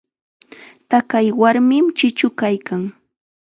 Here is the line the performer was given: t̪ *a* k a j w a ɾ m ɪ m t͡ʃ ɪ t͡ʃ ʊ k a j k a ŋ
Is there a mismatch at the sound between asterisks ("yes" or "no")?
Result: no